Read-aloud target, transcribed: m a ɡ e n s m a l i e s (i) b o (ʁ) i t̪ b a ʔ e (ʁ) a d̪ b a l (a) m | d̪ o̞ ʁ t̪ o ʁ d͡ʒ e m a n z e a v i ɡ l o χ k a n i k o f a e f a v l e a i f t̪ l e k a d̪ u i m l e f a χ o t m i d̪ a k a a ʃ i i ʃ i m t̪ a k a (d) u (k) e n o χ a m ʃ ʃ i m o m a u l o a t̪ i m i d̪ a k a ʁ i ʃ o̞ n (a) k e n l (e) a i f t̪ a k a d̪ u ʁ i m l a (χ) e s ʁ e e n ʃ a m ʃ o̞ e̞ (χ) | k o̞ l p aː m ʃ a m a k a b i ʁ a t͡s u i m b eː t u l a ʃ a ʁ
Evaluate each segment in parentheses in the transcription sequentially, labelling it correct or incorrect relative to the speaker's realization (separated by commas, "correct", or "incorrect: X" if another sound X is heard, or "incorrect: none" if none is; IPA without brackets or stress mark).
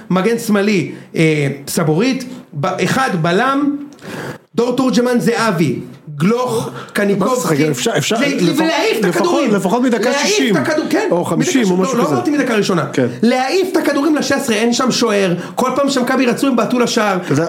incorrect: a, correct, incorrect: χ, correct, correct, correct, correct, correct, incorrect: ʃ, incorrect: ʁ